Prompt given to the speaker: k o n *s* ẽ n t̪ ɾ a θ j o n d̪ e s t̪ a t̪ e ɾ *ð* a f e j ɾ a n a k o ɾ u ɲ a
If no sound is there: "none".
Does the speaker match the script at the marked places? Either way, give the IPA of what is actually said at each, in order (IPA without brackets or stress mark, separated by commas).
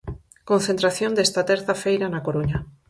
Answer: θ, θ